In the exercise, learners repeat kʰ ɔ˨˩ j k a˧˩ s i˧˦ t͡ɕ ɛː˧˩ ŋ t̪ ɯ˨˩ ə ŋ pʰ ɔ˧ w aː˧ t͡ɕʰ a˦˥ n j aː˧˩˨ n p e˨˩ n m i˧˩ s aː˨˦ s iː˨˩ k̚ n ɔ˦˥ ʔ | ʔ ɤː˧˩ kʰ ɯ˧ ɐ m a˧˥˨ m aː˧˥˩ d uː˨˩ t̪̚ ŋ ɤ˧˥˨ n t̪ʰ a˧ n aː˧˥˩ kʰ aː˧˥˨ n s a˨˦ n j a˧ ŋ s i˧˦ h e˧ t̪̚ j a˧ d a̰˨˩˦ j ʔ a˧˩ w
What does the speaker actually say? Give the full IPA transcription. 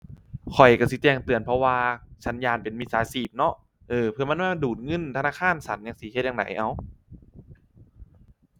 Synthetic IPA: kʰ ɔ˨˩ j k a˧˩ s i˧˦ t͡ɕ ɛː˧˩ ŋ t̪ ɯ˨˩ ə n pʰ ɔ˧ w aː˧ t͡ɕʰ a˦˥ n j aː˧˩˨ n p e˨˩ n m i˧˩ s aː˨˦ s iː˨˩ p̚ n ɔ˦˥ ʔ | ʔ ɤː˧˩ pʰ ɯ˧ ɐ m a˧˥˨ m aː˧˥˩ d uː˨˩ t̪̚ ŋ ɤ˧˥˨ n t̪ʰ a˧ n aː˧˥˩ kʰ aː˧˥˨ n s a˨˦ n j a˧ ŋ s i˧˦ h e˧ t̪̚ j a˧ d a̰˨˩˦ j ʔ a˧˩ w